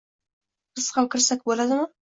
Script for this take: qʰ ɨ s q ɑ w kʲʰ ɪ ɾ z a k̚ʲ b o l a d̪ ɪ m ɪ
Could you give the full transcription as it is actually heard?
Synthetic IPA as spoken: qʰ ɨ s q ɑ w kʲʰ ɪ ɾ s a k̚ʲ b o l a d̪ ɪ m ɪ